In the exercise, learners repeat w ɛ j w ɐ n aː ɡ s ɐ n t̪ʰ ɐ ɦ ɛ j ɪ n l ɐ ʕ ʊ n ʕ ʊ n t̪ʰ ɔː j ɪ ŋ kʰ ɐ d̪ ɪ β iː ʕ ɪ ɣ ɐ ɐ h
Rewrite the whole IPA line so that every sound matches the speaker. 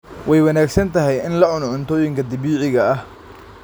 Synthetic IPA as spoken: w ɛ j w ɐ n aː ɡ s ɐ n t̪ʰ ɐ ɦ ɛ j ɪ n l ɐ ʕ ʊ n ʕ ʊ n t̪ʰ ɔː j ɪ ŋ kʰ ɐ d̪ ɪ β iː ʕ ɪ ɣ ɐ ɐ h